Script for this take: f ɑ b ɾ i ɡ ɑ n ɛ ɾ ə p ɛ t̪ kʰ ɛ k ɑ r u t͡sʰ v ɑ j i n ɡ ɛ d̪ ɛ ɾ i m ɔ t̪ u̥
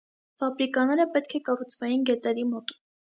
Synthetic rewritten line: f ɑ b ɾ i k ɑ n ɛ ɾ ə p ɛ t̪ kʰ ɛ k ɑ r u t͡sʰ v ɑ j i n ɡ ɛ t̪ ɛ ɾ i m ɔ t̪ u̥